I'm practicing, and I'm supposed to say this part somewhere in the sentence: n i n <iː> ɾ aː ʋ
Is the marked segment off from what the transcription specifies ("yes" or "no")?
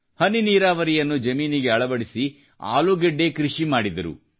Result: no